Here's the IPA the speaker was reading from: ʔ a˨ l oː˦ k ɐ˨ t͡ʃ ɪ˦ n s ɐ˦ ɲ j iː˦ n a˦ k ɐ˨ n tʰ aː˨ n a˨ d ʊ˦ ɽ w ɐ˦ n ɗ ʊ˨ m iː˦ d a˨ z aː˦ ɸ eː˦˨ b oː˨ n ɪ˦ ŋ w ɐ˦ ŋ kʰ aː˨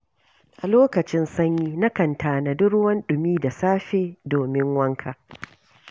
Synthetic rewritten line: ʔ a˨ l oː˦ k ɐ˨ t͡ʃ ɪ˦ n s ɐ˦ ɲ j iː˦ n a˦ k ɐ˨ n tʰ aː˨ n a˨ d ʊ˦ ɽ w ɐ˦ n ɗ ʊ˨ m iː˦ d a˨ s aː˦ ɸ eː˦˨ d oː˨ m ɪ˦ ŋ w ɐ˦ ŋ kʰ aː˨